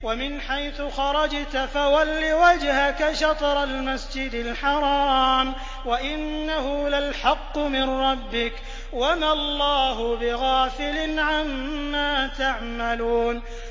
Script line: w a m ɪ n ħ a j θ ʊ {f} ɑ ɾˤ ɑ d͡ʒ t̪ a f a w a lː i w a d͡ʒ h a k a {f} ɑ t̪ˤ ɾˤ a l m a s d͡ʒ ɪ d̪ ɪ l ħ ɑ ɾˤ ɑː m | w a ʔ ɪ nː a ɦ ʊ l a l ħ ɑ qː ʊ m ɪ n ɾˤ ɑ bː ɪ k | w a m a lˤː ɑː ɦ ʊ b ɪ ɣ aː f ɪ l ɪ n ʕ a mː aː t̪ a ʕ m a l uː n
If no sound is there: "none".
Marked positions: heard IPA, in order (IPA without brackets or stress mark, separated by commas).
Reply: x, ʃ